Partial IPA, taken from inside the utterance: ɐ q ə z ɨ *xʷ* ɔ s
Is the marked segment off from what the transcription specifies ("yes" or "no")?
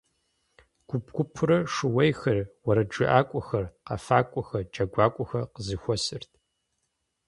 no